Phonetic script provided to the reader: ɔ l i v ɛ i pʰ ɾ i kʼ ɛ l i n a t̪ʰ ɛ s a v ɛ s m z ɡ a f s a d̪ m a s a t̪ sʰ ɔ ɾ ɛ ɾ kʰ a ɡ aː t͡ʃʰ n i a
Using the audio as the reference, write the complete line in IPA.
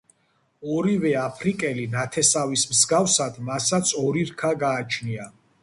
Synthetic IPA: ɔ ɾ i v ɛ a pʰ ɾ i kʼ ɛ l i n a t̪ʰ ɛ s a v i s m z ɡ a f s a d̪ m a s a t̪ sʰ ɔ ɾ i ɾ kʰ a ɡ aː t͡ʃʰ n i a